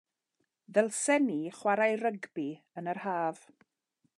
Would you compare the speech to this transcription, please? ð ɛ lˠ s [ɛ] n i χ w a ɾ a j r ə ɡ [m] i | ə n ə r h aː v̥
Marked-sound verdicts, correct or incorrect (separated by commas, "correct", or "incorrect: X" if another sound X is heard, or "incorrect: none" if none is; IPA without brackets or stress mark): correct, incorrect: b